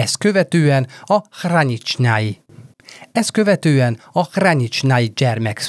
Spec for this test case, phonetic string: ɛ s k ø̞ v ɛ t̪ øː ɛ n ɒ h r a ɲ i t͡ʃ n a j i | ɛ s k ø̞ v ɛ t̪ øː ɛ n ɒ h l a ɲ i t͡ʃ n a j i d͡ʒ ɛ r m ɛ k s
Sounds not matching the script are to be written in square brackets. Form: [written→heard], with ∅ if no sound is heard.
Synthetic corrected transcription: ɛ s k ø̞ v ɛ t̪ øː ɛ n ɒ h r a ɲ i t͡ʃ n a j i | ɛ s k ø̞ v ɛ t̪ øː ɛ n ɒ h [l→r] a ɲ i t͡ʃ n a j i d͡ʒ ɛ r m ɛ k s